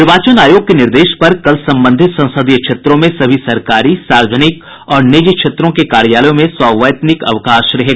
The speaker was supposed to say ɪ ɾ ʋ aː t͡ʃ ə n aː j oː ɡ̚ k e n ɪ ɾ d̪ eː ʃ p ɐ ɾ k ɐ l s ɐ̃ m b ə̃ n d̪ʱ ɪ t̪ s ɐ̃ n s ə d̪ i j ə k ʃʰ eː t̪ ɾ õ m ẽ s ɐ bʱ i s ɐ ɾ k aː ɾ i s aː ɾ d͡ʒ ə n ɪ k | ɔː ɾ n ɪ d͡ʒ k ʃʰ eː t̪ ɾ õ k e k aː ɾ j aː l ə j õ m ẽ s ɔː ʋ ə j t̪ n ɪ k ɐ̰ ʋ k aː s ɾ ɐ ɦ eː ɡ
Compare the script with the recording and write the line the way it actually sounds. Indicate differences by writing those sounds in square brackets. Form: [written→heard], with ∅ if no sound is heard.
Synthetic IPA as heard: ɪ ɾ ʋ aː t͡ʃ ə n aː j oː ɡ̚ k e n ɪ ɾ d̪ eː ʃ p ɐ ɾ k ɐ l s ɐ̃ m b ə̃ n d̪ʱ ɪ t̪ s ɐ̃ n s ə d̪ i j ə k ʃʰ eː t̪ ɾ õ m ẽ s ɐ bʱ i s ɐ ɾ k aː ɾ i s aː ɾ d͡ʒ ə n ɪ k | ɔː ɾ n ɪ d͡ʒ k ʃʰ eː t̪ ɾ õ k e k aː ɾ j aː l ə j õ m ẽ s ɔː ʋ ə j t̪ n ɪ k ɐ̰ ʋ k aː [s→ʃ] ɾ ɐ ɦ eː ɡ